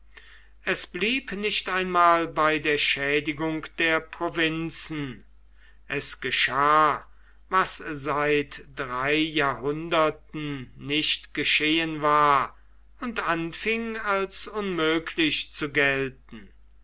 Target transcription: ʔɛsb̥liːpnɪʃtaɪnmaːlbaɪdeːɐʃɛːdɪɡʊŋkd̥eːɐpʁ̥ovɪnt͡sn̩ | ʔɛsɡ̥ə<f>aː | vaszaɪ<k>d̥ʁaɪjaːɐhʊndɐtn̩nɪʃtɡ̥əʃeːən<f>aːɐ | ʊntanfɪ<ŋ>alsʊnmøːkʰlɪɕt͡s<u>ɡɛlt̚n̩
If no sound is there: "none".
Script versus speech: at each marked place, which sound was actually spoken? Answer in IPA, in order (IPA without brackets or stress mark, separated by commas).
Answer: ʃ, t, v, ŋ, u